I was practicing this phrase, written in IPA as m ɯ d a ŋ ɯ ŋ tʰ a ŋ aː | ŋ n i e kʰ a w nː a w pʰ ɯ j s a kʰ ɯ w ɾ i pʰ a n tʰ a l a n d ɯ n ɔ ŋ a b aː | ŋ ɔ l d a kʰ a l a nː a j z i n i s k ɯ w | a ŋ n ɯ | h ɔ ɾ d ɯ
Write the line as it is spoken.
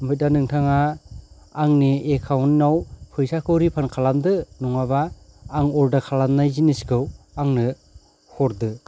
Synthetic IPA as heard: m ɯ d a n ɯ ŋ tʰ a ŋ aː | ŋ n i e kʰ a w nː a w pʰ ɯ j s a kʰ ɯ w ɾ i pʰ a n kʰ a l a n d ɯ n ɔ ŋ a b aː | ŋ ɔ l d a kʰ a l a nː a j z i n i s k ɯ w | a ŋ n ɯ | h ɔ ɾ d ɯ